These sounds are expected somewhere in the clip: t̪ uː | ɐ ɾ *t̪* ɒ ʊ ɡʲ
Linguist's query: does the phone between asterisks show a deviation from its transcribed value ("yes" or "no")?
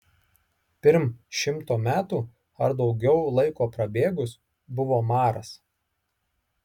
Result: yes